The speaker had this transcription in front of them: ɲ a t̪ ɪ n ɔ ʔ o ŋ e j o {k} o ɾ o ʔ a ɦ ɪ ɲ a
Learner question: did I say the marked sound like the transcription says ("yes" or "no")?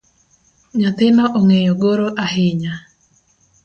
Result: no